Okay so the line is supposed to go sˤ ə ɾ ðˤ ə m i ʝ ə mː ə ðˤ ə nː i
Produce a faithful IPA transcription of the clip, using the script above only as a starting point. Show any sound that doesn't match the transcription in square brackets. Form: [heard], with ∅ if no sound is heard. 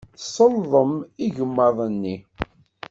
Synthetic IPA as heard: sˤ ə [l] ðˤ ə m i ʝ ə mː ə ðˤ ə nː i